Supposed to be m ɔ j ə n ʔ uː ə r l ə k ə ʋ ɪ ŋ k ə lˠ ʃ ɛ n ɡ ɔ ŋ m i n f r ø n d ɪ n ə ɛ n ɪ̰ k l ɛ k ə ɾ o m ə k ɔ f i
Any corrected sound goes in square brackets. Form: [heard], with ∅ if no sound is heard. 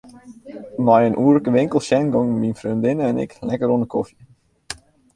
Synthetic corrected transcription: m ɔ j ə n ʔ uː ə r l ə k ə ʋ ɪ ŋ k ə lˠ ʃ ɛ n ɡ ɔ ŋ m i n f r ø n d ɪ n ə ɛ n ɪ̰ k l ɛ k ə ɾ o [n] ə k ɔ f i